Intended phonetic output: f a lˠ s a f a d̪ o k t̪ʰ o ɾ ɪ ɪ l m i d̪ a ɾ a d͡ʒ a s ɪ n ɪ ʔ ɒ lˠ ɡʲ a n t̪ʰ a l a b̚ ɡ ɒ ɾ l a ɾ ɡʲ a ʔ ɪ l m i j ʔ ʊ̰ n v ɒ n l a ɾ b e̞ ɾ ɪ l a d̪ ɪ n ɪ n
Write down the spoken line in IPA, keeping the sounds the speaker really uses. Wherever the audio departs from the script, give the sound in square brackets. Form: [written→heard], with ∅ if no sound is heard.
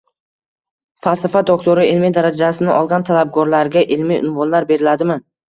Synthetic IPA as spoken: f a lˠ s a f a d̪ o k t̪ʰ o ɾ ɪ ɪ l m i d̪ a ɾ a d͡ʒ a s ɪ n ɪ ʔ ɒ lˠ ɡʲ a n t̪ʰ a l a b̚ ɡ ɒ ɾ l a ɾ ɡʲ a ʔ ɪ l m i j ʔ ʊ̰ n v ɒ n l a ɾ b e̞ ɾ ɪ l a d̪ ɪ [n→m] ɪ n